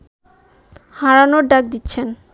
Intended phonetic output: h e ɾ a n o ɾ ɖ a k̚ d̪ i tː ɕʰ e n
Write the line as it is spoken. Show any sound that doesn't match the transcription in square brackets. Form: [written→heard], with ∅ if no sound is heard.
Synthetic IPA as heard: h [e→a] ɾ a n o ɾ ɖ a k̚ d̪ i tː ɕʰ e n